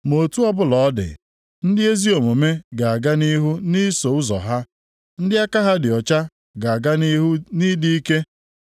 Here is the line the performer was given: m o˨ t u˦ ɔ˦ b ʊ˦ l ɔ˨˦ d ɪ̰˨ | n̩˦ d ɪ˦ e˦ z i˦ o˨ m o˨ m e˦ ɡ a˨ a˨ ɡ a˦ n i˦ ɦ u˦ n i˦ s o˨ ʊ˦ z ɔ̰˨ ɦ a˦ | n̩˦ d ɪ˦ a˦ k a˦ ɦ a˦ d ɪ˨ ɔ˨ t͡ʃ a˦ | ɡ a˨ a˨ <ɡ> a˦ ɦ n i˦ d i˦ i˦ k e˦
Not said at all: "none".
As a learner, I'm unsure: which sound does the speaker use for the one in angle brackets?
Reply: ɡ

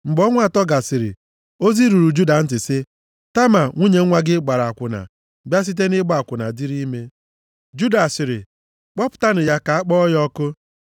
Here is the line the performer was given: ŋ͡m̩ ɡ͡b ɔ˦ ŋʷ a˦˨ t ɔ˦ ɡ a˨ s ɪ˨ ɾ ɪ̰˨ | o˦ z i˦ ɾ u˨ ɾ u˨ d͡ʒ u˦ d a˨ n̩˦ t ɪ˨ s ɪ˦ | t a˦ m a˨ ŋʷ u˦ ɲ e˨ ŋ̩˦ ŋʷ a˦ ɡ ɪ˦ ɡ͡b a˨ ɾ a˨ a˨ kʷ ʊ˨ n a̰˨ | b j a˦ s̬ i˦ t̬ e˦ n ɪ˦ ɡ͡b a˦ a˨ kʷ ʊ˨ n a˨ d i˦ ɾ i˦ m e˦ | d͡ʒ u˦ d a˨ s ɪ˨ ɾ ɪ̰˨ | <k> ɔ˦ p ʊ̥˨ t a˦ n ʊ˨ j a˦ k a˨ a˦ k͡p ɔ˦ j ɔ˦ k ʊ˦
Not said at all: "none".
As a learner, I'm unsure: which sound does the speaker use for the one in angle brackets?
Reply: k͡p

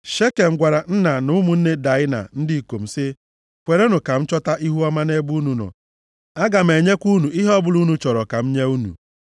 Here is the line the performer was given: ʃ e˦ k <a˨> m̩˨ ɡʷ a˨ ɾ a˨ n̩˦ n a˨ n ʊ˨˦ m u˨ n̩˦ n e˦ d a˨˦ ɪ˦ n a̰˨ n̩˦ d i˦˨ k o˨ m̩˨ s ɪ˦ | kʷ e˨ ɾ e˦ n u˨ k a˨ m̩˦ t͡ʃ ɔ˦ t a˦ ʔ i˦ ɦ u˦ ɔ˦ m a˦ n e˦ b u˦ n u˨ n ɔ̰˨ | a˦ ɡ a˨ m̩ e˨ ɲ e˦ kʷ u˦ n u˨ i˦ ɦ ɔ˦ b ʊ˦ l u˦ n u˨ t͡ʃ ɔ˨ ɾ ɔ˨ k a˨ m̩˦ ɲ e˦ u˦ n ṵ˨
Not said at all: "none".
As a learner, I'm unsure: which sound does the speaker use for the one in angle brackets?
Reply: e˨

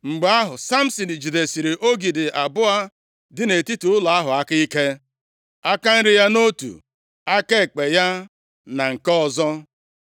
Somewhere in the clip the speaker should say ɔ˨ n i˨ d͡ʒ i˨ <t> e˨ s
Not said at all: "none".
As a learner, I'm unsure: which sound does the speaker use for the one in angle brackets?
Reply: d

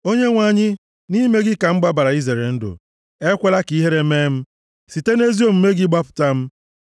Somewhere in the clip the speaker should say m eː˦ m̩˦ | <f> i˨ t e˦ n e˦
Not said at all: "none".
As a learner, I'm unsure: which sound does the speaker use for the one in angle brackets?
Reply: s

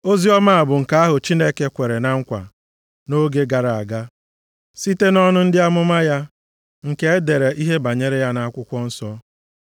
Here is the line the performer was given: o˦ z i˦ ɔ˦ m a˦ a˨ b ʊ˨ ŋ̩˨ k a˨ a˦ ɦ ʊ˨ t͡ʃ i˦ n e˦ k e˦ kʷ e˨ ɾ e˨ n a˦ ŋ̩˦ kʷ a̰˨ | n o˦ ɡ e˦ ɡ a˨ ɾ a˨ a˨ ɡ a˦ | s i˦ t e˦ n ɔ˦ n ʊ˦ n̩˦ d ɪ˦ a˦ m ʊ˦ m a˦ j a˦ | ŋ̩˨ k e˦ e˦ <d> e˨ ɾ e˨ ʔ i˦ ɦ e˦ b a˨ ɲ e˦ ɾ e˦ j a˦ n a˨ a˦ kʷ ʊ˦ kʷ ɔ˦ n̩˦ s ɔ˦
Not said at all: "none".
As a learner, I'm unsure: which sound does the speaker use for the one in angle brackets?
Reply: d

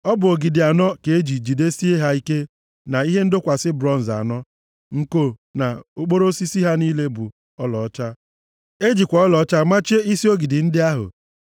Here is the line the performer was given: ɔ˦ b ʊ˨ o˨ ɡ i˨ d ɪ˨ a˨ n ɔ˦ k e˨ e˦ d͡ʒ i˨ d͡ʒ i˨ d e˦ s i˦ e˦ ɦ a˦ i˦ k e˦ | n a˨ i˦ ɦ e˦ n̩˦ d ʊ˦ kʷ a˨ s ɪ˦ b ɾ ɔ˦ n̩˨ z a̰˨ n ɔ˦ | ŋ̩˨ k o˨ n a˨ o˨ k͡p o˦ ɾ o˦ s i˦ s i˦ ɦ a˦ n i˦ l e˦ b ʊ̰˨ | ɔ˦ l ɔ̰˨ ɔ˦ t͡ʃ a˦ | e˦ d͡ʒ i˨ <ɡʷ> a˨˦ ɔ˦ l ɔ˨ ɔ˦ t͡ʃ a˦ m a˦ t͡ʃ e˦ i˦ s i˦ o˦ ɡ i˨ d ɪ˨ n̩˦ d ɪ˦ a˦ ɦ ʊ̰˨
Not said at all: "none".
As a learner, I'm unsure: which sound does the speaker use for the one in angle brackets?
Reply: kʷ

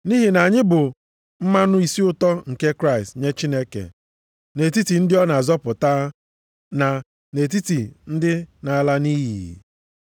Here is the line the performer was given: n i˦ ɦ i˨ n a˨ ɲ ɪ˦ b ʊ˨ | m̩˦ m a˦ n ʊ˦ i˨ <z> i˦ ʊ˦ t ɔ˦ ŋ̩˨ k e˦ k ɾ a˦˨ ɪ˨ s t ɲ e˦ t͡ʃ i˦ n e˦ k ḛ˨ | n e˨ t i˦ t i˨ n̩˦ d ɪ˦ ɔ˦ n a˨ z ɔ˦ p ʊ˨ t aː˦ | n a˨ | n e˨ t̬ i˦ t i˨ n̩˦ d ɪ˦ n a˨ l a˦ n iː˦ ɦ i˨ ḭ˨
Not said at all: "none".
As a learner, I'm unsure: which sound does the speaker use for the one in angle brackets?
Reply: s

